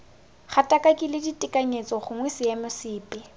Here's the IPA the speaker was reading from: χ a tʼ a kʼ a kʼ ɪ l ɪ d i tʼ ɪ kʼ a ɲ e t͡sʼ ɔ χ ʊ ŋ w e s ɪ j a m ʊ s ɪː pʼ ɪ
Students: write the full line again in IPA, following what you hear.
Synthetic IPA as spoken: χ a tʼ a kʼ a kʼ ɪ l ɪ d i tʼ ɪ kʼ a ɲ e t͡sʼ ɔ χ ʊ ŋ w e s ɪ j a m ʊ s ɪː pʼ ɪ